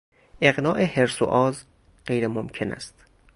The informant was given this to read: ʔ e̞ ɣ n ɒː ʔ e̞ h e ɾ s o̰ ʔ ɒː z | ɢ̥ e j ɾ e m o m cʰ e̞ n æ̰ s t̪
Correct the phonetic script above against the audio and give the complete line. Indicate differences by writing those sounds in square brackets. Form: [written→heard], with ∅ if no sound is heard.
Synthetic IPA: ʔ e̞ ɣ n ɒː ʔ e̞ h e ɾ s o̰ ʔ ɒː z | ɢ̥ e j ɾ e m o m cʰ e̞ n æ̰ s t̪